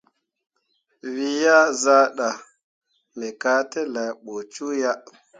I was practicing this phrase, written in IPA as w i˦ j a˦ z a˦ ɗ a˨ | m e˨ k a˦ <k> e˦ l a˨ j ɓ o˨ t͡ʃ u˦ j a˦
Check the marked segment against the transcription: incorrect: t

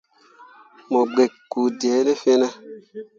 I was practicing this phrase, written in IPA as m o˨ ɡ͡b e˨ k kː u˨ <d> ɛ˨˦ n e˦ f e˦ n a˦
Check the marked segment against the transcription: correct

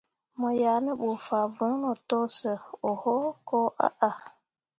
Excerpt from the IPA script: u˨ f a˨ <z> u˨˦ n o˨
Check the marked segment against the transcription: incorrect: v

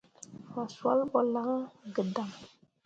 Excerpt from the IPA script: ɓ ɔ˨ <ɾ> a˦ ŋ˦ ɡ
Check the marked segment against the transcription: incorrect: l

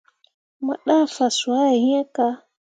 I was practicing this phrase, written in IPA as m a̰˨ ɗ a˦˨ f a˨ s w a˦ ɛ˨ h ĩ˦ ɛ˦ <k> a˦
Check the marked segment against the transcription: correct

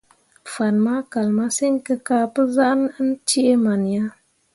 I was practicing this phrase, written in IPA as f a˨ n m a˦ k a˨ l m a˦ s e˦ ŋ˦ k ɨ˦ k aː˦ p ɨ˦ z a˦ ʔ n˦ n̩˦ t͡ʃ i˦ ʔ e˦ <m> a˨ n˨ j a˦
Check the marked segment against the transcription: correct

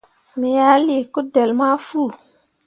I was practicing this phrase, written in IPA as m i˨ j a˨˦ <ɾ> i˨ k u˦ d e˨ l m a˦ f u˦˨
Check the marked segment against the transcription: incorrect: l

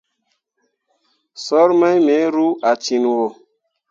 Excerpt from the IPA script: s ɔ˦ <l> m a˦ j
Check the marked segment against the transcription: incorrect: ɾ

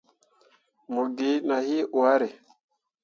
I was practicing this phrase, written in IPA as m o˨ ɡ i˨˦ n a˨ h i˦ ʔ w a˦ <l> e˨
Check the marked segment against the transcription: incorrect: ɾ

